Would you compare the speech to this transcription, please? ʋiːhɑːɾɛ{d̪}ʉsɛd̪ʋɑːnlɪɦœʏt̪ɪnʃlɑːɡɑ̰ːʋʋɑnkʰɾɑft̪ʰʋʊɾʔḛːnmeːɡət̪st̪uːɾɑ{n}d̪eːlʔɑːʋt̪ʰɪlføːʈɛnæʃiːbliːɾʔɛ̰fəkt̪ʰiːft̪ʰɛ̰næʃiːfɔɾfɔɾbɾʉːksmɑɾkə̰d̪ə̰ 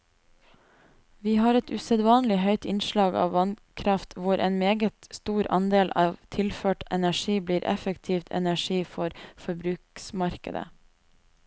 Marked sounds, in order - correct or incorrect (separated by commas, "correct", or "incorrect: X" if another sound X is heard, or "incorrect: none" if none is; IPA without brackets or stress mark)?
incorrect: t̪, correct